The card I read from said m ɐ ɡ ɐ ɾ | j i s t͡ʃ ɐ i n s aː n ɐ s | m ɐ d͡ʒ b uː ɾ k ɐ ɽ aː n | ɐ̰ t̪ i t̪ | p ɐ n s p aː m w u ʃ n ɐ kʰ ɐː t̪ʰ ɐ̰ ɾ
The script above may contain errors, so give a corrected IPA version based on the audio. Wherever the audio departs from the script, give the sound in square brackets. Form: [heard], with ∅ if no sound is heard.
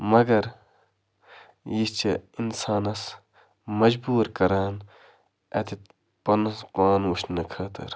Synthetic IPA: m ɐ ɡ ɐ ɾ | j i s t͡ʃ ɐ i n s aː n ɐ s | m ɐ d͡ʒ b uː ɾ k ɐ [ɾ] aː n | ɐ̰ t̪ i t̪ | p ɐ n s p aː [n] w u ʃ n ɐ kʰ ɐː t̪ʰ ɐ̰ ɾ

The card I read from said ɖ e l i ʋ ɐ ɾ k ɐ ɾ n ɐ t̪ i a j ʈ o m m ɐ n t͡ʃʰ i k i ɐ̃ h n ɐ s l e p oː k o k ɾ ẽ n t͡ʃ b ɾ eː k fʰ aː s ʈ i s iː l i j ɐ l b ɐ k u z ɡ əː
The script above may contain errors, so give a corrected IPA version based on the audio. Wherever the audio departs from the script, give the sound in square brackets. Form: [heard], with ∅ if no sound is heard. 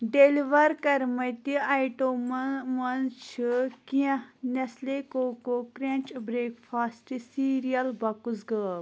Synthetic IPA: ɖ e l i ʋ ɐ ɾ k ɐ ɾ [m] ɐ t̪ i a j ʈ o m m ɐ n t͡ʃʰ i k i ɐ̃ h n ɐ s l e [k] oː k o k ɾ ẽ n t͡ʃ b ɾ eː k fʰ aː s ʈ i s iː [ɾ] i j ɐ l b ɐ k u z ɡ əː

